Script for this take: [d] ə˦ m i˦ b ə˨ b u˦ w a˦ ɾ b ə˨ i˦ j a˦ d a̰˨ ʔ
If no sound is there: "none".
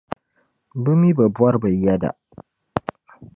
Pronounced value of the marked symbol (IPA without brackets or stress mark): b